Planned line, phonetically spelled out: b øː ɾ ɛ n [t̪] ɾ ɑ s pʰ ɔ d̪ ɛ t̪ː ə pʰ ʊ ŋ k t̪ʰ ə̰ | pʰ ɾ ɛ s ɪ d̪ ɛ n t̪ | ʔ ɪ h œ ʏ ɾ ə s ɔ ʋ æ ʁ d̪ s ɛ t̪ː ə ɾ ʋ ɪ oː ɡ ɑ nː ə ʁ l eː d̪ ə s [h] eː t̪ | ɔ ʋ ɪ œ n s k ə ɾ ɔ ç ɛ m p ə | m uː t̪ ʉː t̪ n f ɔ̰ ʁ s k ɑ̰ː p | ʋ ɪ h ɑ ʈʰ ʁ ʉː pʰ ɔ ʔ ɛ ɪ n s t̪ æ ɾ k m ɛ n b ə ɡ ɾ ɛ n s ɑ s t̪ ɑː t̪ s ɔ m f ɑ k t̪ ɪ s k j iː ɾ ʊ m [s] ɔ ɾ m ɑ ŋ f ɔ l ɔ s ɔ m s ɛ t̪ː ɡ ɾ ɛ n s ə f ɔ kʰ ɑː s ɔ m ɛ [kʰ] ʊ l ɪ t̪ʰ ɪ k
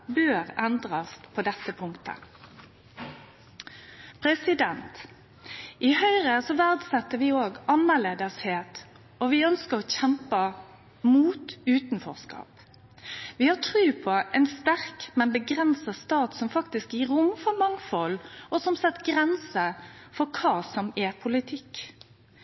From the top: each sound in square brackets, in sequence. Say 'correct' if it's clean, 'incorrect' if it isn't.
incorrect, correct, incorrect, incorrect

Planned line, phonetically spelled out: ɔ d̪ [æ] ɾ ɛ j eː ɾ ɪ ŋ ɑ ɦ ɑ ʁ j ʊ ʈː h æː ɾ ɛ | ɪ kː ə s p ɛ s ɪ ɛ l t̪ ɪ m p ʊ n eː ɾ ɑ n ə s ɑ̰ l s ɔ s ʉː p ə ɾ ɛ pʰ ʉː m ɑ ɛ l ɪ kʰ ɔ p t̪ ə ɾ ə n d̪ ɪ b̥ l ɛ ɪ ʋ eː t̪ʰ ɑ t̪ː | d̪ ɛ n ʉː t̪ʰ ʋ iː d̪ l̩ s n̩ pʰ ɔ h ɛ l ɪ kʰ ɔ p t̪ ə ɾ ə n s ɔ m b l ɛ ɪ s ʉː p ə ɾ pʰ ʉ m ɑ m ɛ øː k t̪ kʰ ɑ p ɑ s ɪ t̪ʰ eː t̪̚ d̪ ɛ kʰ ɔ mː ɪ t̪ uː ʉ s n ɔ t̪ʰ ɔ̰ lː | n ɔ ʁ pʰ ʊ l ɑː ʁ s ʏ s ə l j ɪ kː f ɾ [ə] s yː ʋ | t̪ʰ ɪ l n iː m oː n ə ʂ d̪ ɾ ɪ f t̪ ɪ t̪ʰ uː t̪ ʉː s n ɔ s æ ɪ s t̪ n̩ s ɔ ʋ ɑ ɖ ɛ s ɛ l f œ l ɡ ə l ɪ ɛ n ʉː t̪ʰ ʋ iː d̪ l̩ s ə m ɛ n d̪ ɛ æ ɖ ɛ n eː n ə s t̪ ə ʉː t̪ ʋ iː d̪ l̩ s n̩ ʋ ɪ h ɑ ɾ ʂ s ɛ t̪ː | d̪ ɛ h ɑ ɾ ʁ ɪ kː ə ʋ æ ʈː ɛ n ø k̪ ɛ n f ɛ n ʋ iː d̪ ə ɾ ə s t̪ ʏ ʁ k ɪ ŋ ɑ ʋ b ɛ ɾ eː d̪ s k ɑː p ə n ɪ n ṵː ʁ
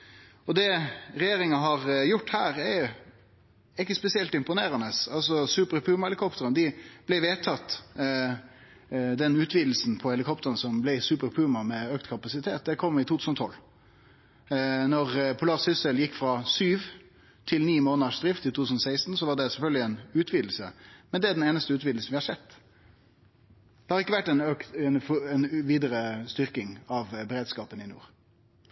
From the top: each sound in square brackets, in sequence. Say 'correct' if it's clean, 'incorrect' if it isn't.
incorrect, incorrect

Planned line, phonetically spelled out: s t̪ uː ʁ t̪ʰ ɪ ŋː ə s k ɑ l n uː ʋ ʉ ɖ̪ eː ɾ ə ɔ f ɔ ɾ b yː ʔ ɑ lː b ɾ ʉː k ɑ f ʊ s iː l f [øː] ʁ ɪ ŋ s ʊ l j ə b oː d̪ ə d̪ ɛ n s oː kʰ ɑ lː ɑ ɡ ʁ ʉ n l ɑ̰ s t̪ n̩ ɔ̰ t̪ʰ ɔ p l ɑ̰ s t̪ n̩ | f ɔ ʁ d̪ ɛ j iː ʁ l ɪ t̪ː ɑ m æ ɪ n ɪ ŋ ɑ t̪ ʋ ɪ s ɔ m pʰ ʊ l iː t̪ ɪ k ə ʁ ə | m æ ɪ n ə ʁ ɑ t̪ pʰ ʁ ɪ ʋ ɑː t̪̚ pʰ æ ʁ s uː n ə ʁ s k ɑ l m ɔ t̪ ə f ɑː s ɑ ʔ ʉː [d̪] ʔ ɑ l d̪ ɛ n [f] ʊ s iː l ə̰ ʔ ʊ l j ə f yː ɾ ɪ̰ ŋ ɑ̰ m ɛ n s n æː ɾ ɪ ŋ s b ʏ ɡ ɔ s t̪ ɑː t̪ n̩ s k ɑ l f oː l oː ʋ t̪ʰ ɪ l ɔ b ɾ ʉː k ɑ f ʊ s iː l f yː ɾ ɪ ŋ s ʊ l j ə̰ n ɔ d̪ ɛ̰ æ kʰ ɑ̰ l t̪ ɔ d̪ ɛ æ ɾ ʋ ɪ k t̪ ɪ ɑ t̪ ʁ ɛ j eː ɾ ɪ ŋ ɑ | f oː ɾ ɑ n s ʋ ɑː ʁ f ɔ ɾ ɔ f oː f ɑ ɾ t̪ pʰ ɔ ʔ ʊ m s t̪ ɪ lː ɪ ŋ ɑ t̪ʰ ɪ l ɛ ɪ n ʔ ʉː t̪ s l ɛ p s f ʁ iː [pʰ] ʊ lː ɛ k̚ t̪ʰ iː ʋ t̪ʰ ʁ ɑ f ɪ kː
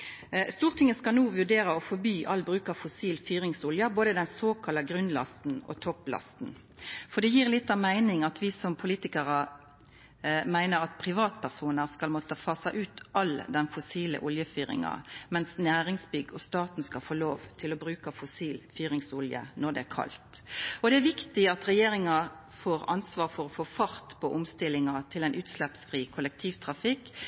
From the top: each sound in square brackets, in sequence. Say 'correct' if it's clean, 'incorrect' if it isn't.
incorrect, incorrect, correct, incorrect

